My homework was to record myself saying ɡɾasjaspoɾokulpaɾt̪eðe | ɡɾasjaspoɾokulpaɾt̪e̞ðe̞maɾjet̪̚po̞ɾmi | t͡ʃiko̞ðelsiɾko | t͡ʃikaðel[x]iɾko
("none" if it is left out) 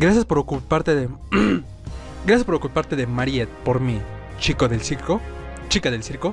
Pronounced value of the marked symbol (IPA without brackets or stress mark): s